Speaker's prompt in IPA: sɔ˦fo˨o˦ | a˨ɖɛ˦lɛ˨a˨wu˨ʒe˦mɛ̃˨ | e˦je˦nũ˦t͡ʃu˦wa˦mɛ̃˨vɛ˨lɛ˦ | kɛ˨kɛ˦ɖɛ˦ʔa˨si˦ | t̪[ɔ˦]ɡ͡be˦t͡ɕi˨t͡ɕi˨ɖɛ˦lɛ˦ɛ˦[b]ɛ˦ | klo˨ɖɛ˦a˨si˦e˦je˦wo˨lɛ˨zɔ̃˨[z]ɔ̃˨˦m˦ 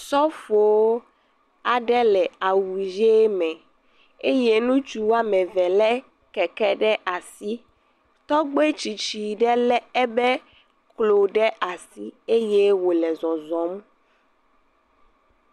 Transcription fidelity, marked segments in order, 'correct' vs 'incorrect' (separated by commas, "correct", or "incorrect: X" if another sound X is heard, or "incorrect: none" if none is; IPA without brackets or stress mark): correct, correct, correct